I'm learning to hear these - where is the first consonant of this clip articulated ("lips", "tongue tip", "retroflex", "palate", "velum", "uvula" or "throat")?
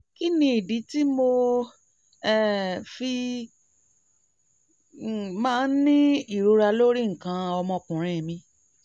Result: velum